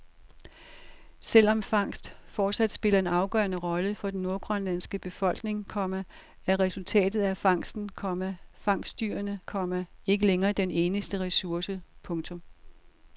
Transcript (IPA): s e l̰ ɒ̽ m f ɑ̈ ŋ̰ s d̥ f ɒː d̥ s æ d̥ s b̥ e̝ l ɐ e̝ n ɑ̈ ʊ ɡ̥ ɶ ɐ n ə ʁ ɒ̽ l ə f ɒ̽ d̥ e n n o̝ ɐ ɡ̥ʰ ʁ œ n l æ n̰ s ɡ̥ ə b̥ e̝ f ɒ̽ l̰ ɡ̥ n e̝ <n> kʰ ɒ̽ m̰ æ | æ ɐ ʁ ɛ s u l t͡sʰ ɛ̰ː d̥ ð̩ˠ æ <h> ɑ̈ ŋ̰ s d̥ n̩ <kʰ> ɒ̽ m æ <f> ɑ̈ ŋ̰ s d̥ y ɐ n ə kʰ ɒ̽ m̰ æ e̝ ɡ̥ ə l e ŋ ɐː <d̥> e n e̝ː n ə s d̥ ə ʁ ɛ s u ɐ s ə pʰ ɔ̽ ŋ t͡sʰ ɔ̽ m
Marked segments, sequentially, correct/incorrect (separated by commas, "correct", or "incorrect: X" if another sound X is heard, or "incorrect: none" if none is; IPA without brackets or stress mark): incorrect: ŋ, incorrect: f, correct, correct, correct